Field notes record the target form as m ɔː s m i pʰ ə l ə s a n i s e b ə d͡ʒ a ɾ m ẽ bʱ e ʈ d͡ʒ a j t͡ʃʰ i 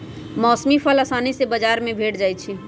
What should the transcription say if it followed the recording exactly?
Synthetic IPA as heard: m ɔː s m i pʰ ə l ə s a n i s e b ə d͡ʒ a ɾ m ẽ bʱ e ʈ d͡ʒ a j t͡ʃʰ i

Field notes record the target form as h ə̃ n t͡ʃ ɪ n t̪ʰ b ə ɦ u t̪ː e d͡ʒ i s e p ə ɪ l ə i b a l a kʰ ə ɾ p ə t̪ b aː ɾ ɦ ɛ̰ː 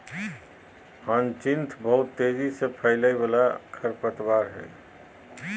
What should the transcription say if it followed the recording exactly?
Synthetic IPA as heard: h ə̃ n t͡ʃ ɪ n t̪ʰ b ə ɦ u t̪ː e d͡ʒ i s e pʰ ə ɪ l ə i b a l a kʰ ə ɾ p ə t̪ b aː ɾ ɦ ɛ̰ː

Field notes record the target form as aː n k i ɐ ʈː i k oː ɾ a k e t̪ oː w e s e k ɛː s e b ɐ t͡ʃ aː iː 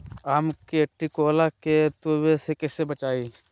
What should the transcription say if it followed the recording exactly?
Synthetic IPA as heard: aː m k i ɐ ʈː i k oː l a k e t̪ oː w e s e k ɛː s e b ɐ t͡ʃ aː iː

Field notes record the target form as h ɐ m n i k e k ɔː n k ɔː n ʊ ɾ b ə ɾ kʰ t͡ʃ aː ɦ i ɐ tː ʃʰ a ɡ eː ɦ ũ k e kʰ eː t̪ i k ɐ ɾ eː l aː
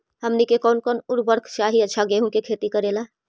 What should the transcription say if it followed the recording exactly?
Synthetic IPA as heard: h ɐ m n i k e k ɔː n k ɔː n ʊ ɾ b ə ɾ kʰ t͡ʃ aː ɦ i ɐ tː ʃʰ a ɡ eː ɦ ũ k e kʰ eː t̪ i k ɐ ɾ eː l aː

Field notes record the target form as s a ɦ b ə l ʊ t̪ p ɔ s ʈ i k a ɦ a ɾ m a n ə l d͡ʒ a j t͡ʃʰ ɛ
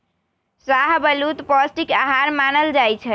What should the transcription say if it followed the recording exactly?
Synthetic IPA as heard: s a ɦ b ə l u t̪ p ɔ s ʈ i k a ɦ a ɾ m a n ə l d͡ʒ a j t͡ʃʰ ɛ

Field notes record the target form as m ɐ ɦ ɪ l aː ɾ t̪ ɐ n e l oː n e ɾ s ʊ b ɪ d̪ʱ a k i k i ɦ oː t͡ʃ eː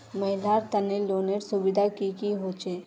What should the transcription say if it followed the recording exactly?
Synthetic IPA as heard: m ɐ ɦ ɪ l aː ɾ t̪ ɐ n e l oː n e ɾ s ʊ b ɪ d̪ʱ a k i k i ɦ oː t͡ʃ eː

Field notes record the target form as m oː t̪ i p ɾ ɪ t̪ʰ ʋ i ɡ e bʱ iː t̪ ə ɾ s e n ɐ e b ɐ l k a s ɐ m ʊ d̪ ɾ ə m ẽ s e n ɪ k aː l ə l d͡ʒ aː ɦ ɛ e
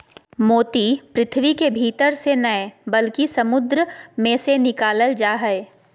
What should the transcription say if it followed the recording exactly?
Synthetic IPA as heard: m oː t̪ i p ɾ ɪ t̪ʰ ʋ i k e bʱ iː t̪ ə ɾ s e n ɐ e b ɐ l k i s ɐ m ʊ d̪ ɾ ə m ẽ s e n ɪ k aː l ə l d͡ʒ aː ɦ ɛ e

